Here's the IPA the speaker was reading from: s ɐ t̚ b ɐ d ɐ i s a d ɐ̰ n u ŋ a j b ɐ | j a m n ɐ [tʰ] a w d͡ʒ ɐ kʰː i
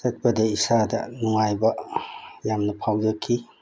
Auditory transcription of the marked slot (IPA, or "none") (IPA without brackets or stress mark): pʰ